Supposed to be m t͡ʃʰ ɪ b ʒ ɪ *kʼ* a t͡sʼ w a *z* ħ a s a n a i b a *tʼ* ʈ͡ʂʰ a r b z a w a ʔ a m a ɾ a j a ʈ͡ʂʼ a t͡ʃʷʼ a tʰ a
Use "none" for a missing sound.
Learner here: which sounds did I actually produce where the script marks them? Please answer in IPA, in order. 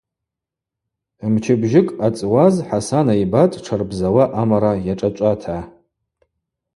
kʼ, z, tʼ

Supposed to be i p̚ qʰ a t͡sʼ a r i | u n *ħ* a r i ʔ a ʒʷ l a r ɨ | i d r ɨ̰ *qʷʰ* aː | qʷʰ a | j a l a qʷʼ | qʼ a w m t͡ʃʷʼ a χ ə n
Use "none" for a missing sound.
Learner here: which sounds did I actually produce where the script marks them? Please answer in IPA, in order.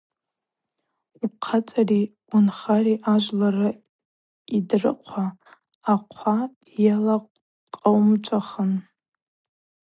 χ, qʷʰ

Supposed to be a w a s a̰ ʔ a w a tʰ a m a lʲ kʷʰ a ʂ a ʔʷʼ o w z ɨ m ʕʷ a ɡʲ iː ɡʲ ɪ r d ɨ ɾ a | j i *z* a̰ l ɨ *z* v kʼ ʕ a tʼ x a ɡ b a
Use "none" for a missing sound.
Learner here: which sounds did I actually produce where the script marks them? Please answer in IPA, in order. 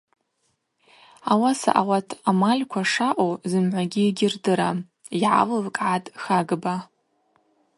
ʕ, none

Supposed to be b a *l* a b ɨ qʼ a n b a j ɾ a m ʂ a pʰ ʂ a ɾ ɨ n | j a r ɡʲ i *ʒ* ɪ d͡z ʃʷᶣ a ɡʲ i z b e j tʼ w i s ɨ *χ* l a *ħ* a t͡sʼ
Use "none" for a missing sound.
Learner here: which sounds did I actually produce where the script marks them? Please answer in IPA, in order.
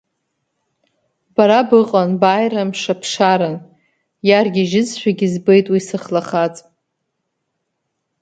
ɾ, ʒ, χ, χ

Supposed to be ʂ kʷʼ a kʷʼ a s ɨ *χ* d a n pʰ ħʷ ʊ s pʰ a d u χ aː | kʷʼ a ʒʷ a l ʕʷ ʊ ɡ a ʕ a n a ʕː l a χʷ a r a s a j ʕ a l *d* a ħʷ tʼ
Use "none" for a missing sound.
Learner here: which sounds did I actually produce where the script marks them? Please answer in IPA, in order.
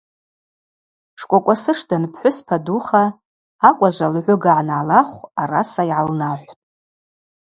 ʂ, n

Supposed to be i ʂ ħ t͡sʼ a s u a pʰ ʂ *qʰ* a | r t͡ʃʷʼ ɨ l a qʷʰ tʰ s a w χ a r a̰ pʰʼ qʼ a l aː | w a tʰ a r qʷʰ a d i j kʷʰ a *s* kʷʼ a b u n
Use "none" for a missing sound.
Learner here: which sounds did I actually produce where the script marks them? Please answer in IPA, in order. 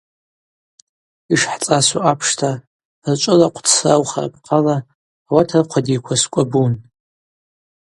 tʰ, s

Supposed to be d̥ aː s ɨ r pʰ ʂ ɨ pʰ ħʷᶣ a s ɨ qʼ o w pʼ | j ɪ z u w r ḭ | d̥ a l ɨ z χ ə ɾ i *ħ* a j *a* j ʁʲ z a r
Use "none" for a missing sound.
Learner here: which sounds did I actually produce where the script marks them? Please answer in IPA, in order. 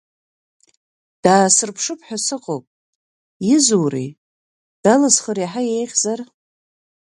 ħ, e

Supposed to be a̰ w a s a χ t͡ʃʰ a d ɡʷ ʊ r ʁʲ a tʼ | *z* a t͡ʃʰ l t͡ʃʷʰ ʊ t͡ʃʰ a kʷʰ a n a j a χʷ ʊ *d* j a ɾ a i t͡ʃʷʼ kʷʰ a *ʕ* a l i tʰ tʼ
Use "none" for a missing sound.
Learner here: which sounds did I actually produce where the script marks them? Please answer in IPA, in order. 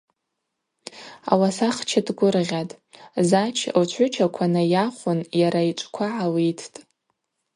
z, n, ʕ

